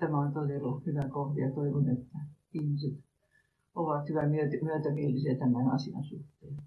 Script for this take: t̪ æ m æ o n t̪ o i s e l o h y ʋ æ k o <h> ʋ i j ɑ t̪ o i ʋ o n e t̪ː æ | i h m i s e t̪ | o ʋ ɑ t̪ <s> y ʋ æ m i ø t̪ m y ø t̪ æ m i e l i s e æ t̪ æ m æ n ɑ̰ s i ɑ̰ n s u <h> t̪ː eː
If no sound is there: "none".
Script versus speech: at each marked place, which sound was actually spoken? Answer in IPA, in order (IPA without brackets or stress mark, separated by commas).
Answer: h, h, h